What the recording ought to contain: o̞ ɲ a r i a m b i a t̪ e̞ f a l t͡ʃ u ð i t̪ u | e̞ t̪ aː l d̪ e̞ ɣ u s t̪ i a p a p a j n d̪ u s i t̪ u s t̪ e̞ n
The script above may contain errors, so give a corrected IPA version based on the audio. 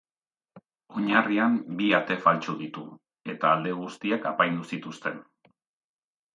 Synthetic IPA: o̞ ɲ a r i a m b i a t̪ e̞ f a l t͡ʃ u ð i t̪ u | e̞ t̪ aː l d̪ e̞ ɣ u s t̪ i a k a p a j n d̪ u s i t̪ u s t̪ e̞ n